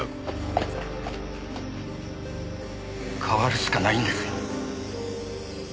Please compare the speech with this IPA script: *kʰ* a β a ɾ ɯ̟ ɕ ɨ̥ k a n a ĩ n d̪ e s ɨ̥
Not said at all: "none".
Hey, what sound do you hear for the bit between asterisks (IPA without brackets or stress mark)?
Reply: kʰ